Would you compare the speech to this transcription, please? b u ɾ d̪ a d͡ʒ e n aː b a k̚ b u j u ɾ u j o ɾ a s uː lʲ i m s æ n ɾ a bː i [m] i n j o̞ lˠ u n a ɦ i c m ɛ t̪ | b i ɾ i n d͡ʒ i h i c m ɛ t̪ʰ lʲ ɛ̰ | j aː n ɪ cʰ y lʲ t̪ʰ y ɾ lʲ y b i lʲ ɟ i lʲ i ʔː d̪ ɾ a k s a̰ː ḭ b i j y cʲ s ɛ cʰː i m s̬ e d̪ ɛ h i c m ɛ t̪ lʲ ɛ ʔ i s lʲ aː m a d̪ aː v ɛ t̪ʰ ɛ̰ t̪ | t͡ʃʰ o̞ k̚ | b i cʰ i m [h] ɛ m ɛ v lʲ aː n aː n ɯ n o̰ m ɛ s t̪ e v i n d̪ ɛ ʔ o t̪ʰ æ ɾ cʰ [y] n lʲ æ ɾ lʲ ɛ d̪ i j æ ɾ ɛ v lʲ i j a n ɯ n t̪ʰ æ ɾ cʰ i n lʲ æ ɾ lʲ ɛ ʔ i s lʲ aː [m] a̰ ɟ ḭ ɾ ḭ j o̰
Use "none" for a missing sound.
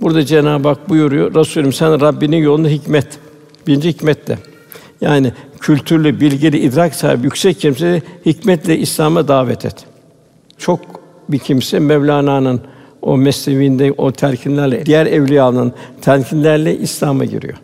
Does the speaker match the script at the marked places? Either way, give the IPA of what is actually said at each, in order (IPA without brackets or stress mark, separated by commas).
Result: n, s, i, m